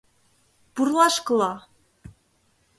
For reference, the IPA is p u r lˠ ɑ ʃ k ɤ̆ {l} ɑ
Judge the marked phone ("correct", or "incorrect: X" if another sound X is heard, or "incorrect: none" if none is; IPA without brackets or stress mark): correct